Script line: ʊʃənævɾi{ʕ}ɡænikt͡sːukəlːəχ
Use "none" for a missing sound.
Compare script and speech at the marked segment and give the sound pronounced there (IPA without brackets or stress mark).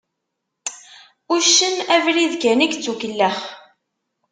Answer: ð